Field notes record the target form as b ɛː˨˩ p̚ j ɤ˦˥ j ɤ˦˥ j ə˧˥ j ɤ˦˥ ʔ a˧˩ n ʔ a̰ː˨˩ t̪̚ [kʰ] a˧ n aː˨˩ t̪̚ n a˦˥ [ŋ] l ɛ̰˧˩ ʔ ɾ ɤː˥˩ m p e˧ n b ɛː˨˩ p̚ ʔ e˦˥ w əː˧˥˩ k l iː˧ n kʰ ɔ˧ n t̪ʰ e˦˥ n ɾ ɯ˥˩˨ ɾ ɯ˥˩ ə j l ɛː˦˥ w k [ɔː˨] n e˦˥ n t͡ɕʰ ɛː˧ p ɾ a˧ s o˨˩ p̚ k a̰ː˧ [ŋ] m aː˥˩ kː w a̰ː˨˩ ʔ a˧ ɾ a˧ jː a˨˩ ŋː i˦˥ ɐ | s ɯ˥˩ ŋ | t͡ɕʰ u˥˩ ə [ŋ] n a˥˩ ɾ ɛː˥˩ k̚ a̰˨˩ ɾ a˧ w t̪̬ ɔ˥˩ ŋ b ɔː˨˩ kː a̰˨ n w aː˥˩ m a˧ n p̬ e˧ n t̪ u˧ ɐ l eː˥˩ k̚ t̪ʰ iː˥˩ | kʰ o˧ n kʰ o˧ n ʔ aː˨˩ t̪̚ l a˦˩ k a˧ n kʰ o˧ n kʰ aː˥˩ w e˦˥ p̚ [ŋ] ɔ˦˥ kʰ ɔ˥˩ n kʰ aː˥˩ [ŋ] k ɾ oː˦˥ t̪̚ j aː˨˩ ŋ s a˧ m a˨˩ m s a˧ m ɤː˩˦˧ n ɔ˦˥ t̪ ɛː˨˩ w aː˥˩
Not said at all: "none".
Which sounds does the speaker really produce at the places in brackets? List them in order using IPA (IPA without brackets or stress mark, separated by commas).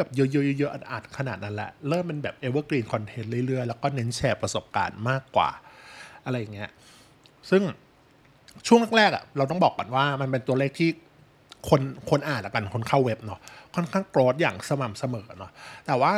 kʰ, n, ɔː˥˩, n, ŋ, n, ŋ